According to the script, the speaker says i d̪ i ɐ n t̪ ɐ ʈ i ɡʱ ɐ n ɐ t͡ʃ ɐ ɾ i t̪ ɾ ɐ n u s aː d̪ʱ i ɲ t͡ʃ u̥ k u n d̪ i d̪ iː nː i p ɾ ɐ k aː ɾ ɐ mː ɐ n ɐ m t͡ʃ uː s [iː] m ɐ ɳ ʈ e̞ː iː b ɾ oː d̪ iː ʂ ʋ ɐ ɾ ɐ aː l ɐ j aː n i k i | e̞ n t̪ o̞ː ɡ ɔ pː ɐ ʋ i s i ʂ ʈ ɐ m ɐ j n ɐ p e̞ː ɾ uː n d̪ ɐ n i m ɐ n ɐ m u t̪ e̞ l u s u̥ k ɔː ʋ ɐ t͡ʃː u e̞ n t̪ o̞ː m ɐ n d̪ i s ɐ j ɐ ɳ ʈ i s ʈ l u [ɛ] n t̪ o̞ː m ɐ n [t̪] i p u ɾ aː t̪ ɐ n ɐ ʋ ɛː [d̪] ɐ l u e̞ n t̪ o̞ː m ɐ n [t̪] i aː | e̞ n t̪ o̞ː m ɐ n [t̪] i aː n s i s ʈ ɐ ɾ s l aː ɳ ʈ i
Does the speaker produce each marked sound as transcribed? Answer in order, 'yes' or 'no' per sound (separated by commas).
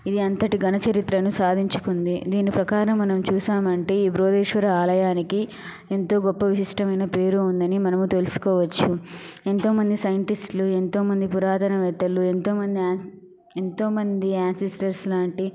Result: no, no, no, no, no, no